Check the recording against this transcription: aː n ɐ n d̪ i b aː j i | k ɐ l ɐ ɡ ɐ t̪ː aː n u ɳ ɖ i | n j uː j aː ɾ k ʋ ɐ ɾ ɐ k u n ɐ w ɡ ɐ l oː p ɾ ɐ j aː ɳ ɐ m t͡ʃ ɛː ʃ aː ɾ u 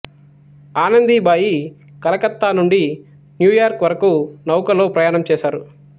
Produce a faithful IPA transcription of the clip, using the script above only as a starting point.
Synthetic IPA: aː n ɐ n d̪ i b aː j i | k ɐ l ɐ k ɐ t̪ː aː n u ɳ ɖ i | n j uː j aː ɾ k ʋ ɐ ɾ ɐ k u n ɐ w k ɐ l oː p ɾ ɐ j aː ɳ ɐ m t͡ʃ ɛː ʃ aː ɾ u